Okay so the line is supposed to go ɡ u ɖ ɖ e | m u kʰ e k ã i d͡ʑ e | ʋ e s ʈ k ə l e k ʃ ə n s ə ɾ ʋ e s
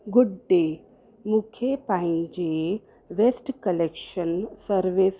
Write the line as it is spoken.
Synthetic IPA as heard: ɡ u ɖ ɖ e | m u kʰ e p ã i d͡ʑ e | ʋ e s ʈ k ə l e k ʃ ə n s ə ɾ ʋ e s